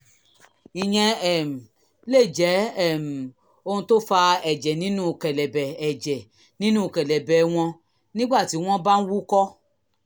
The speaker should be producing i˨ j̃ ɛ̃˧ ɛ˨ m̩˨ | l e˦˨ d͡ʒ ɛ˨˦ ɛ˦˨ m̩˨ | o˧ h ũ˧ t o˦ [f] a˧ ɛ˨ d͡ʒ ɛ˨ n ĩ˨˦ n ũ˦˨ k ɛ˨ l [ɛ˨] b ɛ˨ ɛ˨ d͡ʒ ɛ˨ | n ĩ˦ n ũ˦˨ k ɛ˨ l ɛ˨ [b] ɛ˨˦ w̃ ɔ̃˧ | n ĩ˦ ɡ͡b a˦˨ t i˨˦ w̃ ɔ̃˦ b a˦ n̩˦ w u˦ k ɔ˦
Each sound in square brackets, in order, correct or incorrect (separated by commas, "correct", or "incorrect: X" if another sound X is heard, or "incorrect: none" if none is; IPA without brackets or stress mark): correct, correct, correct